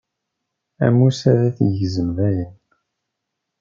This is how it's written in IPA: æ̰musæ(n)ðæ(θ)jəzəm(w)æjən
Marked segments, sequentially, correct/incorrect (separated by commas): incorrect, correct, incorrect